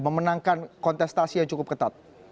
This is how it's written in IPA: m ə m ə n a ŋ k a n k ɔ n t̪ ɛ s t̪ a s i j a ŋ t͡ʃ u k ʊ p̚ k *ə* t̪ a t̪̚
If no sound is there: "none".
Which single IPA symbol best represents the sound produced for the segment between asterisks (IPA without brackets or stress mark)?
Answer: ə